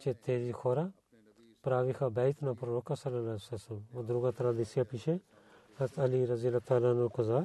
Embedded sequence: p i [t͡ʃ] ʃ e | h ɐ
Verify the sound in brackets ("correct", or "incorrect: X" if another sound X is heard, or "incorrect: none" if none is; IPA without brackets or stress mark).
incorrect: none